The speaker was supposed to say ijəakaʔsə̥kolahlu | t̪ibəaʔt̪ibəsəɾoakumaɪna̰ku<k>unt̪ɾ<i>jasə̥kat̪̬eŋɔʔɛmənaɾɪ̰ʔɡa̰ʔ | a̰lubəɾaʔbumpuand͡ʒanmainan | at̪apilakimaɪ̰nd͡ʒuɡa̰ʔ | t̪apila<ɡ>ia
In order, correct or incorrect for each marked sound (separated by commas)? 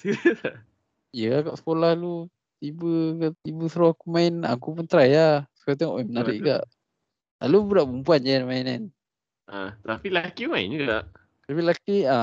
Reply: incorrect, incorrect, incorrect